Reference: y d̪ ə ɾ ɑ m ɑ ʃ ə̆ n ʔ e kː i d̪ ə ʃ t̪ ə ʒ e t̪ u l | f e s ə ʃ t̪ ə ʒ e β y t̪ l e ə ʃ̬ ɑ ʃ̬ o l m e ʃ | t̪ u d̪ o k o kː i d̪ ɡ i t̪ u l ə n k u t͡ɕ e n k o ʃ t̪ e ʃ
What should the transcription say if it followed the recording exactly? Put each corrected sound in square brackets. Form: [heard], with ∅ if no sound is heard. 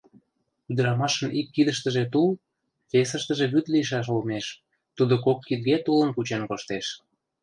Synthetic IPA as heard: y d̪ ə ɾ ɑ m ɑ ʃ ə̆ n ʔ [i] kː i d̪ ə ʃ t̪ ə ʒ e t̪ u l | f e s ə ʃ t̪ ə ʒ e β y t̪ l [i] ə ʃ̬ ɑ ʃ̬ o l m e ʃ | t̪ u d̪ o k o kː i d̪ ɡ [e] t̪ u l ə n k u t͡ɕ e n k o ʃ t̪ e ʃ

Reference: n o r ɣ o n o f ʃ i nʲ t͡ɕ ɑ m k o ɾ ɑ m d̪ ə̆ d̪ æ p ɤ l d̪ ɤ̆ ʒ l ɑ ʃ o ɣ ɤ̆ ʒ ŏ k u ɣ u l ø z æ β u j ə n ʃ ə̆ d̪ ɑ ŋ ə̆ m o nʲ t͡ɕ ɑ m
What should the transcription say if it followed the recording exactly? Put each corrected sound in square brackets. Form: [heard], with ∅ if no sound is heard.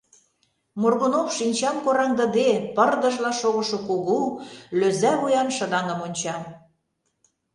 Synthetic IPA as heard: [m] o r ɣ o n o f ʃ i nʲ t͡ɕ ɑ m k o ɾ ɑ [ŋ] d̪ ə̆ d̪ [e] p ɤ [r] d̪ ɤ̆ ʒ l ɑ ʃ o ɣ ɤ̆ [ʃ] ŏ k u ɣ u l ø z æ β u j [ɑ] n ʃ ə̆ d̪ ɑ ŋ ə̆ m o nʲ t͡ɕ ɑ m

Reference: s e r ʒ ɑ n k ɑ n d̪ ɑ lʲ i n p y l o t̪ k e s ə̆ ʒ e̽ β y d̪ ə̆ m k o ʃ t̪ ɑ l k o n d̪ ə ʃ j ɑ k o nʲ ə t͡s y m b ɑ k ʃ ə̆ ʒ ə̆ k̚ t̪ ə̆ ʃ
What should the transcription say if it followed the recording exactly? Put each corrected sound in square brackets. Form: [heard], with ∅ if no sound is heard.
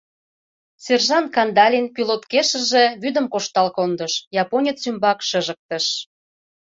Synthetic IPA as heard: s e r ʒ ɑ n k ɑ n d̪ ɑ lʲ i n [k] y l o t̪ k e [ʃ] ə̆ ʒ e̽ β y d̪ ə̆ m k o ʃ t̪ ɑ l k o n d̪ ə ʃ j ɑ [p] o nʲ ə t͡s y m b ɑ k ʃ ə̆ ʒ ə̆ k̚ t̪ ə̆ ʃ

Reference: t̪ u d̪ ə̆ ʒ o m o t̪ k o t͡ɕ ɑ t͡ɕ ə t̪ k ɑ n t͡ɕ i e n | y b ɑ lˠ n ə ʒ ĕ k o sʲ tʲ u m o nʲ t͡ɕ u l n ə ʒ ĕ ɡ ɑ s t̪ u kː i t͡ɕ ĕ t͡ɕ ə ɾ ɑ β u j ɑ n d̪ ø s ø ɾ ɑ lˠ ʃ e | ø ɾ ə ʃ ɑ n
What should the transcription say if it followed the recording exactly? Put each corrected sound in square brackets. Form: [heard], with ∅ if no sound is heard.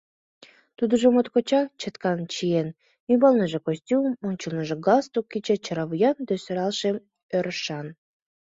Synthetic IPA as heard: t̪ u d̪ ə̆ ʒ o m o t̪ k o t͡ɕ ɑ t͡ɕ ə t̪ k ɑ n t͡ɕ i e n | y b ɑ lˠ n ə ʒ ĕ k o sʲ tʲ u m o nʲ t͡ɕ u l n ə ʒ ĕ ɡ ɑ s t̪ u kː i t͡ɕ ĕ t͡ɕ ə ɾ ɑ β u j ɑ n d̪ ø s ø ɾ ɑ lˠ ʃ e | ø ɾ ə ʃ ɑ n

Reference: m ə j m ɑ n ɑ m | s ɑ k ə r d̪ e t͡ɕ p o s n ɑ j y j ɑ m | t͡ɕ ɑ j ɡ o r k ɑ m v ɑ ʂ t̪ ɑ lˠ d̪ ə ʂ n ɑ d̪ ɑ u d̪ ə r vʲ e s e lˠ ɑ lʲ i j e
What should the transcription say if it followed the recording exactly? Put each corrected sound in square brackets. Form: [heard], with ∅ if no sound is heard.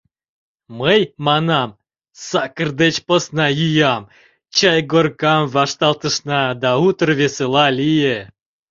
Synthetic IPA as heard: m ə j m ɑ n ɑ m | s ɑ k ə r d̪ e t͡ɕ p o s n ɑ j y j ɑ m | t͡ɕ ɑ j ɡ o r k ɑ m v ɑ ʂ t̪ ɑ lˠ [t̪] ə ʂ n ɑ d̪ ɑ u [t̪] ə r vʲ e s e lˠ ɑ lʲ i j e

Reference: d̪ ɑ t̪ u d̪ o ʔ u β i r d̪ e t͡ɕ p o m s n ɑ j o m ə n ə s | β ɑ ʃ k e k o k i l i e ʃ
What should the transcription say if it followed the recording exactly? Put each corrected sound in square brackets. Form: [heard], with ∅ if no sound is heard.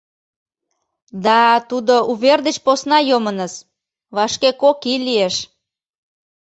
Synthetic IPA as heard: d̪ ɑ t̪ u d̪ o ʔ u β [e] r d̪ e t͡ɕ p o [∅] s n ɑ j o m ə n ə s | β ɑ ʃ k e k o k i l i e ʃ

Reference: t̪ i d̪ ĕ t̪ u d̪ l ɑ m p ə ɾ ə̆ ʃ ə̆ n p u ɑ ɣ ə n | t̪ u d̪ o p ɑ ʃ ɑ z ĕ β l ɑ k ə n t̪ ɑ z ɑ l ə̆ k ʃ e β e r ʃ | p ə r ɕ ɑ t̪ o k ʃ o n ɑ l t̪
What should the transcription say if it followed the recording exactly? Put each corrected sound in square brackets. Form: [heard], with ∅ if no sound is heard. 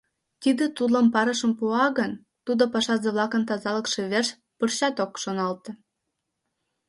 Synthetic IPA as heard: t̪ i d̪ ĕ t̪ u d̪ l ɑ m p [ɑ] ɾ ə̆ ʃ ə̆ [m] p u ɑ ɣ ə n | t̪ u d̪ o p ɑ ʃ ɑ z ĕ β l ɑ k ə n t̪ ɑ z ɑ l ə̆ k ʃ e β e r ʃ | p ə r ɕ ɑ t̪ o k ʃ o n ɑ l t̪

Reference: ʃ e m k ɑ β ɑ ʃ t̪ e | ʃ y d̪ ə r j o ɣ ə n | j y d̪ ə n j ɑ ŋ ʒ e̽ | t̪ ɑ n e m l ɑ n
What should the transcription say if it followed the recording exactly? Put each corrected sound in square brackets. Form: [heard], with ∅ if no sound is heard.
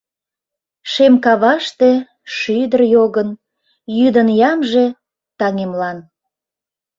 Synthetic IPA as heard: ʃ e m k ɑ β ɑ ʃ t̪ e | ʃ y d̪ ə r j o ɣ ə n | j y d̪ ə n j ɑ [m] ʒ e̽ | t̪ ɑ [ŋ] e m l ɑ n

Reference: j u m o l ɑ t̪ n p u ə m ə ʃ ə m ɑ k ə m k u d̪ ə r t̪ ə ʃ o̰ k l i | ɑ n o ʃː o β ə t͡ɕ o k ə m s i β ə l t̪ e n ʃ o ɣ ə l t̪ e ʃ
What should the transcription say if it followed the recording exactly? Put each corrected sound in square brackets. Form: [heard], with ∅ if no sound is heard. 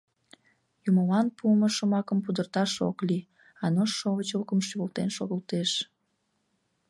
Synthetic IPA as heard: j u m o l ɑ [∅] n p u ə m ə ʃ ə m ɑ k ə m [p] u d̪ ə r t̪ [ɑ] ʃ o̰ k l i | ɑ n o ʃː o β ə t͡ɕ o k ə m [ʃ] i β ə l t̪ e n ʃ o ɣ ə l t̪ e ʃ

